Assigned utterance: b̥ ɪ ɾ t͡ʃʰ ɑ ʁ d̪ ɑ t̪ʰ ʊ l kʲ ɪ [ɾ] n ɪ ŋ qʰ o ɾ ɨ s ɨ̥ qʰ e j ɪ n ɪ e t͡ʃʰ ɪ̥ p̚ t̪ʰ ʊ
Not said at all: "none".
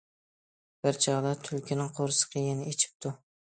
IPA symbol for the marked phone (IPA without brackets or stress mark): none